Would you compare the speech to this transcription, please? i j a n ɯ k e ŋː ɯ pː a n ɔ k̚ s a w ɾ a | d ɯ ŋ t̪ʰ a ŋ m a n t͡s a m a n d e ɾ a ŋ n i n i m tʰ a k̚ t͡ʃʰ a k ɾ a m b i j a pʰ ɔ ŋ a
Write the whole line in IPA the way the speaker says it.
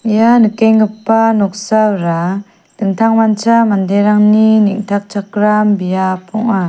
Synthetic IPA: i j a n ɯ k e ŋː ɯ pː a n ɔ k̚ s a w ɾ a | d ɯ ŋ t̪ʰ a ŋ m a n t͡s a m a n d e ɾ a ŋ n i n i ŋ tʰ a k̚ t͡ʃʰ a k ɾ a m b i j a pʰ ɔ ŋ a

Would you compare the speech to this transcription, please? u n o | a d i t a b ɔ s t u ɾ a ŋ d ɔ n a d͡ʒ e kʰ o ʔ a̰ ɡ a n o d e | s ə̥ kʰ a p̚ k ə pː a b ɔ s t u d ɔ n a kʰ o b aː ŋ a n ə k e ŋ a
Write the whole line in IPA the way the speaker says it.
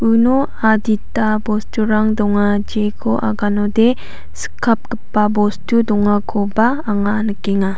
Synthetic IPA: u n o | a d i t a b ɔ s t u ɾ a ŋ d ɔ ŋ a d͡ʒ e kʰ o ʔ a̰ ɡ a n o d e | s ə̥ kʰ a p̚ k ə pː a b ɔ s t u d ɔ ŋ a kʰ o b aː ŋ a n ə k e ŋ a

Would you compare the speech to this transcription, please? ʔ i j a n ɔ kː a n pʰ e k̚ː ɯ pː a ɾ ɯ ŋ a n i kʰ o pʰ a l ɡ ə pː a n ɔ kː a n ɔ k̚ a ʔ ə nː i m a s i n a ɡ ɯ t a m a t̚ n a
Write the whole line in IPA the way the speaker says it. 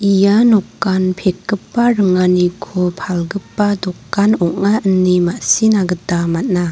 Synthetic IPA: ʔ i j a n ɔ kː a n pʰ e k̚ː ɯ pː a ɾ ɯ ŋ a n i kʰ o pʰ a l ɡ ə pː a d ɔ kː a n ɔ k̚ a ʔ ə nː i m a s i n a ɡ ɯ t a m a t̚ n a

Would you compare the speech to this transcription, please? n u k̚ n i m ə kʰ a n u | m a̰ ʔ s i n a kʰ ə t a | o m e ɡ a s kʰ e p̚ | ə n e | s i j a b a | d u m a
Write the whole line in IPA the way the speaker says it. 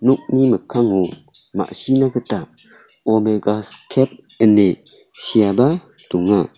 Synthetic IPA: n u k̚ n i m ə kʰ a ŋ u | m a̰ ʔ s i n a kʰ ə t a | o m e ɡ a s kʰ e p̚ | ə n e | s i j a b a | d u ŋ a

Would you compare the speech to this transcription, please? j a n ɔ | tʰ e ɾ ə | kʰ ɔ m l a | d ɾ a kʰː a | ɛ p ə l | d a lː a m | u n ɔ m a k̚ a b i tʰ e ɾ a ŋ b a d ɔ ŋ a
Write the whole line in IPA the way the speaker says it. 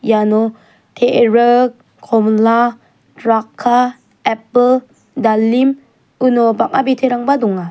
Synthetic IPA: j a n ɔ | tʰ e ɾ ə | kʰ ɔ m l a | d ɾ a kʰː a | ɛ p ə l | d a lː i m | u n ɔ b a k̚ a b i tʰ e ɾ a ŋ b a d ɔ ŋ a

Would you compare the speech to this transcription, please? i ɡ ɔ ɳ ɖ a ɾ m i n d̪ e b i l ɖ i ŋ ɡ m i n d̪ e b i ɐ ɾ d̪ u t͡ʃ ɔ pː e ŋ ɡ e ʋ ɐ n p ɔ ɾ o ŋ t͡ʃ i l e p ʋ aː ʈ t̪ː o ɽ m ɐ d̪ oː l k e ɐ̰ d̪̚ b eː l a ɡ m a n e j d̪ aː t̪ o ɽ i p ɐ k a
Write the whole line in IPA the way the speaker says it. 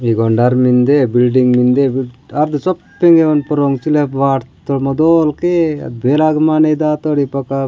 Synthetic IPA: i ɡ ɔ ɳ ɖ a ɾ m i n d̪ e b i l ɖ i ŋ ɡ m i n d̪ e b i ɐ ɾ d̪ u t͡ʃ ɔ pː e ŋ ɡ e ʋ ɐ n p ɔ ɾ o ŋ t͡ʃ i l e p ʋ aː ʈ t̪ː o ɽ m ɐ d̪ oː l k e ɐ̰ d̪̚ b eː l a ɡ m a n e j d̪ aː t̪ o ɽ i p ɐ k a

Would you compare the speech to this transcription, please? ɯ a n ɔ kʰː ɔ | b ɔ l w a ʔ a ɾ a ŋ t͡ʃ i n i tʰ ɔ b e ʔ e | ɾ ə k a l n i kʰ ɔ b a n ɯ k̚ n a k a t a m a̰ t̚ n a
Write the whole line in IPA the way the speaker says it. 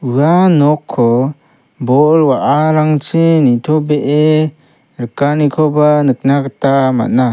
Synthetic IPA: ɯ a n ɔ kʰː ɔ | b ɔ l w a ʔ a ɾ a ŋ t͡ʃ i n i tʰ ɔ b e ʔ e | ɾ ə k a n i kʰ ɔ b a n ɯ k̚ n a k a t a m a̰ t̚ n a

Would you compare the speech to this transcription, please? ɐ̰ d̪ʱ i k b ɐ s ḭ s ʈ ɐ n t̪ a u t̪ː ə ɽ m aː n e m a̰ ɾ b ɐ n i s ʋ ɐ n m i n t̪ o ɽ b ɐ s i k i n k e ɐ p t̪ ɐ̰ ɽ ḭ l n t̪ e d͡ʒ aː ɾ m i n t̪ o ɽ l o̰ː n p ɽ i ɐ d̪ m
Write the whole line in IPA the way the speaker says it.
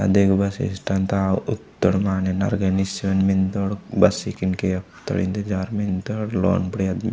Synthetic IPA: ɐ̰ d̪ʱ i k b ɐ s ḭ s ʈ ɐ n t̪ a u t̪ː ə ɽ m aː n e n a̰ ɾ ɡ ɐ n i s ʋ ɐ n m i n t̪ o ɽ b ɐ s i k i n k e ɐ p t̪ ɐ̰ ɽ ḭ n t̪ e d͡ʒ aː ɾ m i n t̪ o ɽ l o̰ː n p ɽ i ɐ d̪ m

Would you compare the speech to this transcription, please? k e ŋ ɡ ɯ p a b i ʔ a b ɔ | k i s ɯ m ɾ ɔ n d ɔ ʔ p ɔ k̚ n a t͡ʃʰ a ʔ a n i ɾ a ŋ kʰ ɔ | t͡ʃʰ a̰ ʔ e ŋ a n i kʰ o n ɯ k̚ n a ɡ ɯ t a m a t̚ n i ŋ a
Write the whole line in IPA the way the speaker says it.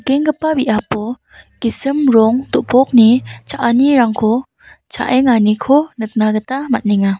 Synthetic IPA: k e ŋ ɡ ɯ p a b i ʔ a p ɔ | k i s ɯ m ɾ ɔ ŋ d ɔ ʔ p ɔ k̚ n i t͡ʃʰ a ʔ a n i ɾ a ŋ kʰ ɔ | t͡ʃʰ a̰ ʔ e ŋ a n i kʰ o n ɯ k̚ n a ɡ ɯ t a m a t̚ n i ŋ a

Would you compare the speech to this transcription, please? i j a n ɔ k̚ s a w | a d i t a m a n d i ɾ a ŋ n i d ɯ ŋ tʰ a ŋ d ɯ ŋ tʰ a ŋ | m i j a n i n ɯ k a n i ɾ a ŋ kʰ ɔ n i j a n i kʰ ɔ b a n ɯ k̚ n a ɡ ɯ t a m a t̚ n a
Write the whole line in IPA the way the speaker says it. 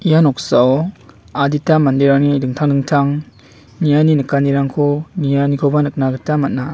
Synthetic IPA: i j a n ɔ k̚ s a w | a d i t a m a n d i ɾ a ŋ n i d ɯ ŋ tʰ a ŋ d ɯ ŋ tʰ a ŋ | n i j a n i n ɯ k a n i ɾ a ŋ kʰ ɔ n i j a n i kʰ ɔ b a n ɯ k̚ n a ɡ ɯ t a m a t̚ n a

